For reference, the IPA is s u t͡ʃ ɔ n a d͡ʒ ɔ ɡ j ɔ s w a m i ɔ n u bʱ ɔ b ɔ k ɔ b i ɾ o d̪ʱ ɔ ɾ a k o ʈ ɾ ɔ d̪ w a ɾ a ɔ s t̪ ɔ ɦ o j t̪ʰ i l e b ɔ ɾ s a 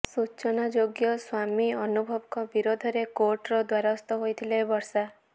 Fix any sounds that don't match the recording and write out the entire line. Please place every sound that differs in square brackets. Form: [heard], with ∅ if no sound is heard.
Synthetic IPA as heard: s u t͡ʃ ɔ n a d͡ʒ [o] ɡ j ɔ s w a m i ɔ n u bʱ ɔ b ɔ k ɔ b i ɾ o d̪ʱ ɔ ɾ [e] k o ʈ ɾ ɔ d̪ w a ɾ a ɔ s t̪ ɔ ɦ o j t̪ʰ i l e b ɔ ɾ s a